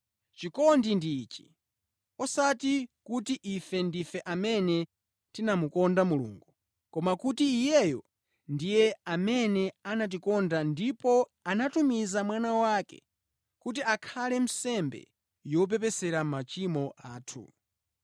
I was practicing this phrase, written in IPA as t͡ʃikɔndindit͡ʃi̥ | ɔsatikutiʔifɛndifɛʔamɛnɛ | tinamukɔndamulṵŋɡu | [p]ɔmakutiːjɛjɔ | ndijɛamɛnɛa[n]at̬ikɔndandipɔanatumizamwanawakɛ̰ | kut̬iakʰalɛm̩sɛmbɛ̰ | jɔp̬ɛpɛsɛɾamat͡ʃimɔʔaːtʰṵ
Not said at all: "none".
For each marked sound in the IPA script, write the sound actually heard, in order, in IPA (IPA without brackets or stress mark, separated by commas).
k, n